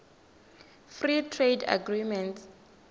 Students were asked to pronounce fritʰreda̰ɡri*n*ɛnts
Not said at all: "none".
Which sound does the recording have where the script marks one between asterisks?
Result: m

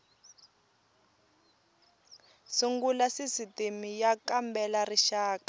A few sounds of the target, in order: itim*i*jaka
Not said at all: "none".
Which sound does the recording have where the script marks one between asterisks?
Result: i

